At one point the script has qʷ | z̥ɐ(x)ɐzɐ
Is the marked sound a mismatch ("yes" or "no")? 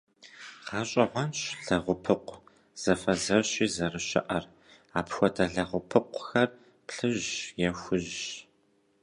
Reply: yes